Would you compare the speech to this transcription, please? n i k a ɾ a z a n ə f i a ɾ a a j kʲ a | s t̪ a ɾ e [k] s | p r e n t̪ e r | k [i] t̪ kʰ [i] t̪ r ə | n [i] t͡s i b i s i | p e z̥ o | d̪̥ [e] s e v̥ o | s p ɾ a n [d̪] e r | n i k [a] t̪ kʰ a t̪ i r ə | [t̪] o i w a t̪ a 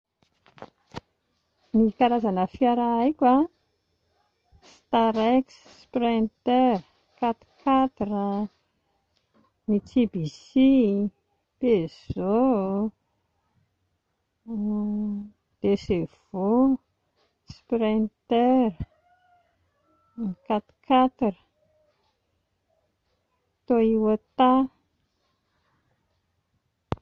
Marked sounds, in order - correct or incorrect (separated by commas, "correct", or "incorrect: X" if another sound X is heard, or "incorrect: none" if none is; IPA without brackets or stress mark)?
correct, incorrect: a, incorrect: a, correct, correct, incorrect: t̪, correct, correct